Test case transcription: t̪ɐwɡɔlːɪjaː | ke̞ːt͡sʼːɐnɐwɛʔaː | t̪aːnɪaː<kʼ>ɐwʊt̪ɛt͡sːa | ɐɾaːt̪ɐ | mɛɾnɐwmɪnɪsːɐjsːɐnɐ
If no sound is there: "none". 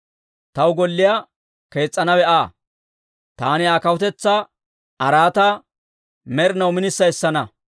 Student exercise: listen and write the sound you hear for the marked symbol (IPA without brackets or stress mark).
k